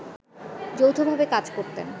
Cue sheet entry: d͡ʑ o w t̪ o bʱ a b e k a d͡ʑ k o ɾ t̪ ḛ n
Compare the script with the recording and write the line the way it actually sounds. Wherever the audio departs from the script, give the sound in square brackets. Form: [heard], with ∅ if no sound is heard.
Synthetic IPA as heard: d͡ʑ o w [t̪ʰ] o bʱ a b e k a d͡ʑ k o ɾ t̪ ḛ n